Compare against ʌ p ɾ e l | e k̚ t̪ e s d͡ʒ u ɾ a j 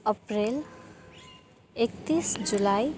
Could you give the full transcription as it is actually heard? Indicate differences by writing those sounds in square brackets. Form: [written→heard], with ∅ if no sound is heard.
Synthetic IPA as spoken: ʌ p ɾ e l | e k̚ t̪ [e→i] s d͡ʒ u [ɾ→l] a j